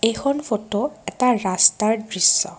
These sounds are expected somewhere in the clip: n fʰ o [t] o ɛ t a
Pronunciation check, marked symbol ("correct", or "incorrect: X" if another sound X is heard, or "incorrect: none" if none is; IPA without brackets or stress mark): correct